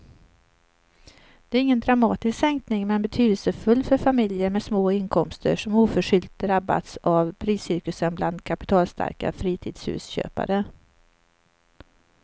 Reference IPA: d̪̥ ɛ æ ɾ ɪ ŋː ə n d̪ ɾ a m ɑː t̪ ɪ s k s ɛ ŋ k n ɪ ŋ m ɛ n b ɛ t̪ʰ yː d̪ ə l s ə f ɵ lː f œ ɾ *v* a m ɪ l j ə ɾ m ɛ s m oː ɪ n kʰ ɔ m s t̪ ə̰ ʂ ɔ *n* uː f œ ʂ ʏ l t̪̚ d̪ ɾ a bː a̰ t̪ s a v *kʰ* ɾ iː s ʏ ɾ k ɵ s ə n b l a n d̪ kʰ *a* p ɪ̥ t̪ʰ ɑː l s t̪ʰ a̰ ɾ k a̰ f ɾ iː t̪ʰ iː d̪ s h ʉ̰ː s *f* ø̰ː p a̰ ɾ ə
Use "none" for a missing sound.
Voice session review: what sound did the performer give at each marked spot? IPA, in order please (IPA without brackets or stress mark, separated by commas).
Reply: f, m, pʰ, a, ɕ